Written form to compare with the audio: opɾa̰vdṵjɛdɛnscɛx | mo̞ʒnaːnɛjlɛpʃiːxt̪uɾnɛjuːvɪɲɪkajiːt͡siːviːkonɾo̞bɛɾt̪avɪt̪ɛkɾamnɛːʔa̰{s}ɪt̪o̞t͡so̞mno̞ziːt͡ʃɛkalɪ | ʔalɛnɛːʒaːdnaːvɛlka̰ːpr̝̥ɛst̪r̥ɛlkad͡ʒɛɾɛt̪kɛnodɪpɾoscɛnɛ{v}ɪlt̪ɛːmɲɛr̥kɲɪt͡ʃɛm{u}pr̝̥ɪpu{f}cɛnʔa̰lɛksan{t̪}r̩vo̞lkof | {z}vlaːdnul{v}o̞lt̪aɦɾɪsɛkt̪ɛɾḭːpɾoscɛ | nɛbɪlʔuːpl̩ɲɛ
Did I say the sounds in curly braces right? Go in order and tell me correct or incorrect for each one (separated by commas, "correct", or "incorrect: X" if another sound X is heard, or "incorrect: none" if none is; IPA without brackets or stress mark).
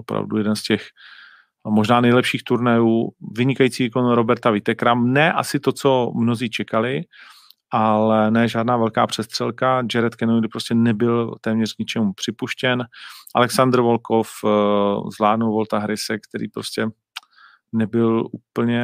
correct, incorrect: b, correct, incorrect: ʃ, incorrect: d̪, correct, correct